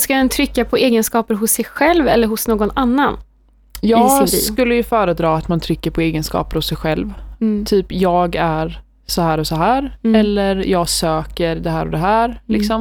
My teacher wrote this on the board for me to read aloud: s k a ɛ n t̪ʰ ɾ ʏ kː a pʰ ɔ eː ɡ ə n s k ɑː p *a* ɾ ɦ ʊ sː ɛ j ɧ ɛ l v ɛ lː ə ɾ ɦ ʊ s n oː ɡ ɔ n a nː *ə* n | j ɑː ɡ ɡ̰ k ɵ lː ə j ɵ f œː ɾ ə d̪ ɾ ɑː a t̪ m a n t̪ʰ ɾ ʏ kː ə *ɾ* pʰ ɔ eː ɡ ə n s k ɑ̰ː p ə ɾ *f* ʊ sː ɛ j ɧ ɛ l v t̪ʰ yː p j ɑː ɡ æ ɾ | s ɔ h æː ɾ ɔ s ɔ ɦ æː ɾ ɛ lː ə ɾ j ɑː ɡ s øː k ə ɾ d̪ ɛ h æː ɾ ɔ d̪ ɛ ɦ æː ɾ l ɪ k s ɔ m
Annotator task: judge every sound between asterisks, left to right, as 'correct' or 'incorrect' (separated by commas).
incorrect, incorrect, correct, incorrect